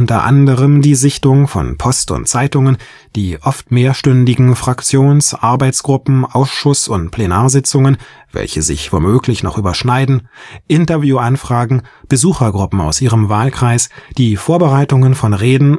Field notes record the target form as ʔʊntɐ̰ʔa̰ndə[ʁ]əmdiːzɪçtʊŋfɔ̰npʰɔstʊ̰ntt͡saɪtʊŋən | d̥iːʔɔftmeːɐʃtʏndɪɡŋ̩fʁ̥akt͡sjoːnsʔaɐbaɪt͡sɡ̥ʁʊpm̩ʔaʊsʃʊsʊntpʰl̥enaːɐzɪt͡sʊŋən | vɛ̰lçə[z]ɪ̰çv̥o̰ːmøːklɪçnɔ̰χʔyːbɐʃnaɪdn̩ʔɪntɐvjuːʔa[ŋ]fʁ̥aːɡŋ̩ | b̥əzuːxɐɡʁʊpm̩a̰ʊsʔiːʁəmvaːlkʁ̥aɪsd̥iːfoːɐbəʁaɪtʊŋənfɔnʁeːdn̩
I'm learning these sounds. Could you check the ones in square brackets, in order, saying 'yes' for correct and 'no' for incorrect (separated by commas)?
yes, yes, no